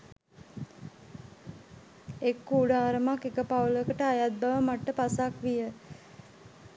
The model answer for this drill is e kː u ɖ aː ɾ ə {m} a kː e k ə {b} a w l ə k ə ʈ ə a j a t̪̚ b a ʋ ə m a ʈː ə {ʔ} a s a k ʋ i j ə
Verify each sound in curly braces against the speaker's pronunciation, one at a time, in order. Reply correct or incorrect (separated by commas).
correct, incorrect, incorrect